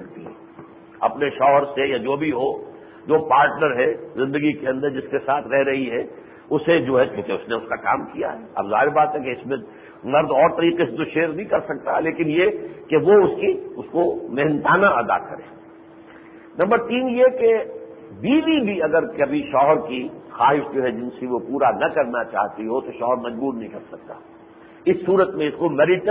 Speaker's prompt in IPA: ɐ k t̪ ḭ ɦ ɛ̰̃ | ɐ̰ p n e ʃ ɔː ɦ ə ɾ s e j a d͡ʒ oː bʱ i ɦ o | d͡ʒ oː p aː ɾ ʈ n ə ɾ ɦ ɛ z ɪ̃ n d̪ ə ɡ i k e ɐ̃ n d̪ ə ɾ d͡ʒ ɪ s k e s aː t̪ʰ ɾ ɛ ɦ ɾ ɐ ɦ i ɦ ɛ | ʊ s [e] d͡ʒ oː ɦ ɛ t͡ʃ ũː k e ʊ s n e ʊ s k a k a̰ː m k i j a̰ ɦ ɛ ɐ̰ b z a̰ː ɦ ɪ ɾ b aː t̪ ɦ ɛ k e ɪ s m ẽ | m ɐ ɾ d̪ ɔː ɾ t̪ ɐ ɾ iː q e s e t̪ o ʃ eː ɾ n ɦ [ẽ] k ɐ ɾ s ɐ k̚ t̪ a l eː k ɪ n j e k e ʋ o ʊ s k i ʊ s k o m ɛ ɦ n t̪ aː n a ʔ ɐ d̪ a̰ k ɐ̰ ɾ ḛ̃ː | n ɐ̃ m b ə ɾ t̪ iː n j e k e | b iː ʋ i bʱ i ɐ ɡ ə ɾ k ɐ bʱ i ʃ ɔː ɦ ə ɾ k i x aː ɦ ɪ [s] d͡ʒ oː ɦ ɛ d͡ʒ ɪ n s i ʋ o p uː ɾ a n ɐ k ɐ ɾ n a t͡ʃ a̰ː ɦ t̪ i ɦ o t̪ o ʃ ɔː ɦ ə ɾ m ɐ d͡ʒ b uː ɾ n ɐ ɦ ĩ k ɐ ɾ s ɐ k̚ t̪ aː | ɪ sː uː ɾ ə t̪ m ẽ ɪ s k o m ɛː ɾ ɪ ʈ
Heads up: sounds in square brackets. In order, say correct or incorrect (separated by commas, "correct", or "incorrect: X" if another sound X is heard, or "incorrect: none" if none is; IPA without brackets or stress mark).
correct, incorrect: ĩ, incorrect: ʃ